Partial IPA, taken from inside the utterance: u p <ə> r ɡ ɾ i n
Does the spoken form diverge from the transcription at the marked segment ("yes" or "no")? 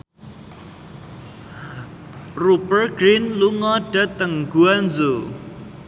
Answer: no